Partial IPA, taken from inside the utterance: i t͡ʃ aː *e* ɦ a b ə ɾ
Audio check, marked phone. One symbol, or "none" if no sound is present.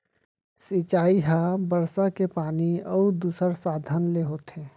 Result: i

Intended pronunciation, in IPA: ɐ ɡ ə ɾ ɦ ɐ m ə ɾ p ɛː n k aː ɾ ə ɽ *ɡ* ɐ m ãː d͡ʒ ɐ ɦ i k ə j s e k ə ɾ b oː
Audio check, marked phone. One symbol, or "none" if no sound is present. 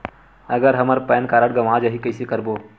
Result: ɡ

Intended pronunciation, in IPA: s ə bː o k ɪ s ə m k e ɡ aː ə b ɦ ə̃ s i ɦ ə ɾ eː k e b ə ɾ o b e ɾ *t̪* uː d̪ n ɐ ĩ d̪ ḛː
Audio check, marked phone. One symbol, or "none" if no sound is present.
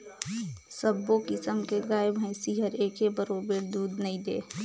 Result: d̪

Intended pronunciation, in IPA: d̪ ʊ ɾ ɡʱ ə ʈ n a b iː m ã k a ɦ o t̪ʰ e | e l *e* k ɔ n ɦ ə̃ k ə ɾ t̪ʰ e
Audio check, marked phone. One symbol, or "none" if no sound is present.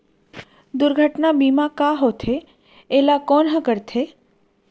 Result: a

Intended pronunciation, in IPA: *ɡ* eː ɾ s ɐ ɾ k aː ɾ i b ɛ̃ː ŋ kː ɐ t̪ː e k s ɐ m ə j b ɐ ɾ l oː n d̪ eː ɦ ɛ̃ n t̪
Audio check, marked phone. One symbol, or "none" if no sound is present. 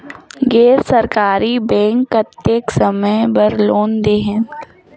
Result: ɡ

